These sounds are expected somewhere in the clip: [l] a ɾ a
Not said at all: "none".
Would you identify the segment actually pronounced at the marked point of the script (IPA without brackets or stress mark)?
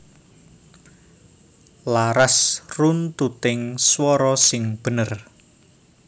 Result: l